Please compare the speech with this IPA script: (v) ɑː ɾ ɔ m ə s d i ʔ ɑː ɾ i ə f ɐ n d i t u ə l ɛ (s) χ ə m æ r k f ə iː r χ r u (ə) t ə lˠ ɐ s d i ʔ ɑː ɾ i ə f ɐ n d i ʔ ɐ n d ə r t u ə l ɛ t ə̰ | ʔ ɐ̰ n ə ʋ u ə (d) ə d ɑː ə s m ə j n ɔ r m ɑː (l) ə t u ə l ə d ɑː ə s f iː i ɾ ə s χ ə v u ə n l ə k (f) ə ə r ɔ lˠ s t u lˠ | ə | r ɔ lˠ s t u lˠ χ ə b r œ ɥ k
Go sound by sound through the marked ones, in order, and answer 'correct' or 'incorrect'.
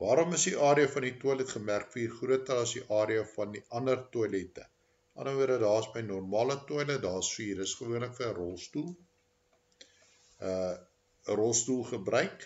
correct, incorrect, correct, correct, correct, correct

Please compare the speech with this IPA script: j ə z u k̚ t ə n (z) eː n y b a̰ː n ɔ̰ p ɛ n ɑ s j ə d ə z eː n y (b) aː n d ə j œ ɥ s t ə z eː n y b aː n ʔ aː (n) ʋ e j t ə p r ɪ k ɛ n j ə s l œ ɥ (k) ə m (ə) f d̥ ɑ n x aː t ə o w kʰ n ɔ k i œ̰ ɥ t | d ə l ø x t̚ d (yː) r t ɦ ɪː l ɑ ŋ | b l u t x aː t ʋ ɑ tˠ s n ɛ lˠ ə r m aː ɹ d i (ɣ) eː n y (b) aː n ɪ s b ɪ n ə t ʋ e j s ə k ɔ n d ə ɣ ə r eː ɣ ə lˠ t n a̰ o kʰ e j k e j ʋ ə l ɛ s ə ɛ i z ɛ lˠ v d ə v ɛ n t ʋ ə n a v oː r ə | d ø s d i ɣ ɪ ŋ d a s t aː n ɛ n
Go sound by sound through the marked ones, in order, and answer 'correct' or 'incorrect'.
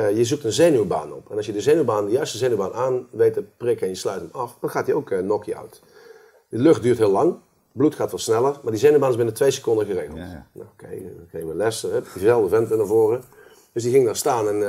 correct, correct, correct, incorrect, incorrect, correct, incorrect, correct

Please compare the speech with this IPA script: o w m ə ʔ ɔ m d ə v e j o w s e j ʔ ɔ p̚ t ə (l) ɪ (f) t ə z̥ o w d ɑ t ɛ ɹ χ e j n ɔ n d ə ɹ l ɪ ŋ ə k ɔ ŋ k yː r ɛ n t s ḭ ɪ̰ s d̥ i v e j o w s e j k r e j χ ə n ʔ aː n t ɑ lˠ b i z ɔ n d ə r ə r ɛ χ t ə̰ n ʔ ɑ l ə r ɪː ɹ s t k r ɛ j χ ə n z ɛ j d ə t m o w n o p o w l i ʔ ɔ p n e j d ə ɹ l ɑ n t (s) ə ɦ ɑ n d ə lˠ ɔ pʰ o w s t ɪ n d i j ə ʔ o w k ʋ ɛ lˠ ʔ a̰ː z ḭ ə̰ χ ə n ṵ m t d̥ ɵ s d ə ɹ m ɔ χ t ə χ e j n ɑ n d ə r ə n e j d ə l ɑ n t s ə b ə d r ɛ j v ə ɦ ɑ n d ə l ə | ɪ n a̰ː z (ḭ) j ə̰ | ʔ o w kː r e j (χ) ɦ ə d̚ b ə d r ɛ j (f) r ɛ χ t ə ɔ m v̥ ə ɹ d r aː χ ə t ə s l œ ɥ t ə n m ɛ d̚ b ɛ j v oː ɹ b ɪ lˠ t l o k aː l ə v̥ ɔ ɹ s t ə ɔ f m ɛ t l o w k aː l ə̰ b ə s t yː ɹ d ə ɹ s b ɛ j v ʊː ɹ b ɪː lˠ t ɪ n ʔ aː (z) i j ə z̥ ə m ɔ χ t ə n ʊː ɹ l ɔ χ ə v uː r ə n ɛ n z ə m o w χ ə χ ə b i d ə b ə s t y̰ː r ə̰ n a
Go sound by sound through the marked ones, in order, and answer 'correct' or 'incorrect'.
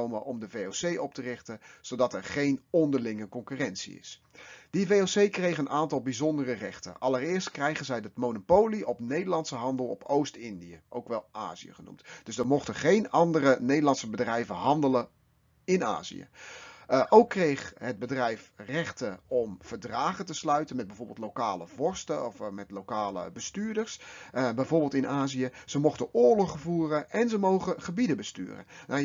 incorrect, incorrect, correct, correct, correct, correct, correct

